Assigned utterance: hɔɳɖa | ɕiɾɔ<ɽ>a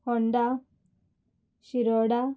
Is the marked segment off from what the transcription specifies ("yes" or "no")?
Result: no